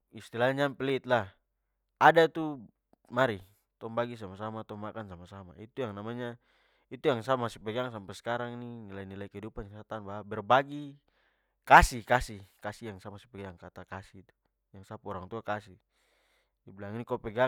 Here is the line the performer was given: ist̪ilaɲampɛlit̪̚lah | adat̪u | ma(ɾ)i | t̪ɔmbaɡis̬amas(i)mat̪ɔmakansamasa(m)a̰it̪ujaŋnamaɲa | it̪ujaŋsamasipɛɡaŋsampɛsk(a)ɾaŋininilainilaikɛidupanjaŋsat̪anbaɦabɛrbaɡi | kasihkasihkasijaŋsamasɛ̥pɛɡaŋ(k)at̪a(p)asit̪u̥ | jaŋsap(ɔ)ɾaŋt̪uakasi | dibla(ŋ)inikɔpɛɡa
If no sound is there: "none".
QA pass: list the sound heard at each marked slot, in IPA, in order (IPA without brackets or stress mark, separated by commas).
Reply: ɾ, a, m, a, k, k, ɔ, ŋ